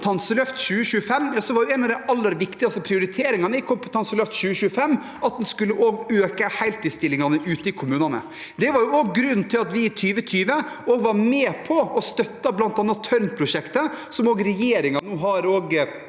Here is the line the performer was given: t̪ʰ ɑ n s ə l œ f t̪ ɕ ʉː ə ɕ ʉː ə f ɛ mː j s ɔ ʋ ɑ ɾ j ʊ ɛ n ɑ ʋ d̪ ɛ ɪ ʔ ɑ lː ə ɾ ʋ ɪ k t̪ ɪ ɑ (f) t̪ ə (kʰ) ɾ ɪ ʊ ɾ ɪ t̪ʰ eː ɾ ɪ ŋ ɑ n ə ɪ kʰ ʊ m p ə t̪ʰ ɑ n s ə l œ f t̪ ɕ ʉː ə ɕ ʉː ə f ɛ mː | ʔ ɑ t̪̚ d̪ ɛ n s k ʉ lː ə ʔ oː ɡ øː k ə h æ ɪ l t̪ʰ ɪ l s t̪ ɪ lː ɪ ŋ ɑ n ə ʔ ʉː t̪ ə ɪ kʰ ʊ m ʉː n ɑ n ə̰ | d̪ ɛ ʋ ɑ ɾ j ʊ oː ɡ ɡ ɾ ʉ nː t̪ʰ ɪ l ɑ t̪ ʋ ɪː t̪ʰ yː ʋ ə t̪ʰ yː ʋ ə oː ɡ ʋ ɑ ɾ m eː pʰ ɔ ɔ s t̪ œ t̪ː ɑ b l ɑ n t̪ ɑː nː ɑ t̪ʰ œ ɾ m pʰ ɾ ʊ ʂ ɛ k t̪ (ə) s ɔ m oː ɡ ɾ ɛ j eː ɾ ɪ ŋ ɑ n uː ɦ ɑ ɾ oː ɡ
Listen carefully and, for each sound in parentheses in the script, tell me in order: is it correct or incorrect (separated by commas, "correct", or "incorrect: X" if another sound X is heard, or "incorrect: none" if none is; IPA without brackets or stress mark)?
incorrect: s, incorrect: pʰ, correct